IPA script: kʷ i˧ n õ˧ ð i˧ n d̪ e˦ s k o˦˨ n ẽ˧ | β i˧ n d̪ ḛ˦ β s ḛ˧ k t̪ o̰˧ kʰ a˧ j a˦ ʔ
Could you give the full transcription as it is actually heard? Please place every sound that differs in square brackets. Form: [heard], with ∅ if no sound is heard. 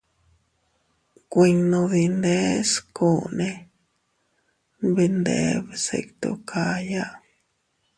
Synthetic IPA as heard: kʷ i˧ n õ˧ ð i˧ n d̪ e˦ s k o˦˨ n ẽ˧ | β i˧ n d̪ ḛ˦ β s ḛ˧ k t̪ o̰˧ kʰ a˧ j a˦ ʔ